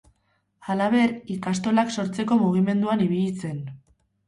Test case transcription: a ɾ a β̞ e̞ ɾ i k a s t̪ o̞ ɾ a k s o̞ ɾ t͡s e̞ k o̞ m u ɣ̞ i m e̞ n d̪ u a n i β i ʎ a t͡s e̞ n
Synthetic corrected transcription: a l a β̞ e̞ ɾ i k a s t̪ o̞ l a k s o̞ ɾ t͡s e̞ k o̞ m u ɣ̞ i m e̞ n d̪ u a n i β i ʎ i t͡s e̞ n